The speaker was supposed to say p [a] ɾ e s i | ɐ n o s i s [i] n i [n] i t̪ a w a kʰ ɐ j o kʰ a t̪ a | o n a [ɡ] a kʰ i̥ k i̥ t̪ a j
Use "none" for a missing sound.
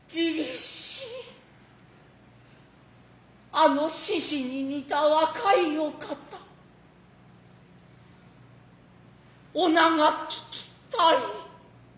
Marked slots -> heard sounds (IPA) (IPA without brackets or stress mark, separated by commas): i, i, n, ŋ